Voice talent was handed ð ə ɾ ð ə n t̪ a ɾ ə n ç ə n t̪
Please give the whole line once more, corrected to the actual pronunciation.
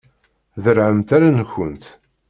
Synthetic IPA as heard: ð ə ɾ ʕ ə m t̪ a ɾ a n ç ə n t̪